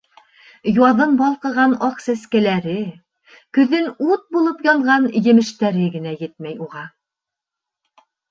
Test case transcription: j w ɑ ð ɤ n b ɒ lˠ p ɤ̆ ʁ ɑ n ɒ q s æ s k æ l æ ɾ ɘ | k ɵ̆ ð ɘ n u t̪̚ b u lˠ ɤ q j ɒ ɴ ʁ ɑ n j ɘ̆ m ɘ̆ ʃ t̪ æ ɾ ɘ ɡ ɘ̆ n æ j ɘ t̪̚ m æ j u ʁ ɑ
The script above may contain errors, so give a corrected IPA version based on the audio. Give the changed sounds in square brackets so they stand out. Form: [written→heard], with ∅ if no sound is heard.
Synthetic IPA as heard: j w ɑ ð ɤ n b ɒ lˠ [p→q] ɤ̆ ʁ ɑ n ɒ q s æ s k æ l æ ɾ ɘ | k ɵ̆ ð ɘ n u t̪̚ b u lˠ ɤ [q→p] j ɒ ɴ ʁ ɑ n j ɘ̆ m ɘ̆ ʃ t̪ æ ɾ ɘ ɡ ɘ̆ n æ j ɘ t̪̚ m æ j u ʁ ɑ